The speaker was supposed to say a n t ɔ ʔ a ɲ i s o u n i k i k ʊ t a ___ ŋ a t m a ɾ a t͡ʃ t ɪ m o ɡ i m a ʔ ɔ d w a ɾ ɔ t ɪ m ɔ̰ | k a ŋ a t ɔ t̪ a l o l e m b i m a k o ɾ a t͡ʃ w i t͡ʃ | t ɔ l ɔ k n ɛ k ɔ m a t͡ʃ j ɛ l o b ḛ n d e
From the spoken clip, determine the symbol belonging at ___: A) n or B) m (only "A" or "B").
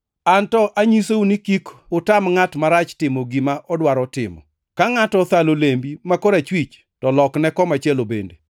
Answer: B